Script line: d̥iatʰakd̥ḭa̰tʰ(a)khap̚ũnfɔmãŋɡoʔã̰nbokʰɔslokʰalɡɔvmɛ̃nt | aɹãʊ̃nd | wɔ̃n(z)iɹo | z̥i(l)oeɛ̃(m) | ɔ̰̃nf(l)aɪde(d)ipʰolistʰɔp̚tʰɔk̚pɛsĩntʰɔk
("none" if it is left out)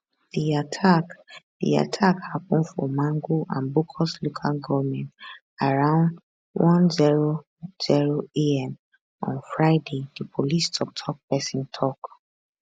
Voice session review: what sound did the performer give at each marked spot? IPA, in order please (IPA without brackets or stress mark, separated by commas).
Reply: a, z, ɹ, m, ɹ, d